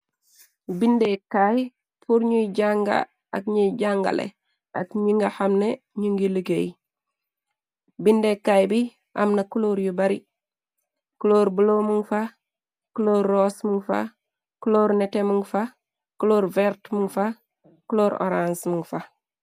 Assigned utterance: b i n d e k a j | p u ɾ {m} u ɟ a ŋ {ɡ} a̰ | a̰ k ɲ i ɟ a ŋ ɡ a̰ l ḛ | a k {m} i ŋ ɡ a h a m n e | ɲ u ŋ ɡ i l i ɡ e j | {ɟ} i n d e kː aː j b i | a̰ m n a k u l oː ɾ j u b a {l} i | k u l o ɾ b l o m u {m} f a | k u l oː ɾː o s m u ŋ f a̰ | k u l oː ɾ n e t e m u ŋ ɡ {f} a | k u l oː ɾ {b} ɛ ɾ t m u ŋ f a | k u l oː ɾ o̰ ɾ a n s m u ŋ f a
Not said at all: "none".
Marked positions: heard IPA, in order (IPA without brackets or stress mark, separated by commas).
ɲ, ɡ, ɲ, b, ɾ, ŋ, f, v